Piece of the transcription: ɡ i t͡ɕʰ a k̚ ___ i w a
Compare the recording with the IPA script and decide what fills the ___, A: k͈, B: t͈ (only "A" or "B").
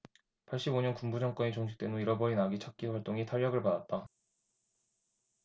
A